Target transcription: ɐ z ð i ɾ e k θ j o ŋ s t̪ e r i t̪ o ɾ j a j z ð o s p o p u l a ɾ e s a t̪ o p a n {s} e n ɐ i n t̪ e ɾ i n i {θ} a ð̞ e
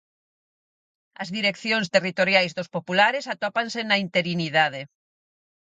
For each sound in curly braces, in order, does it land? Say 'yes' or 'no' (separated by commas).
yes, no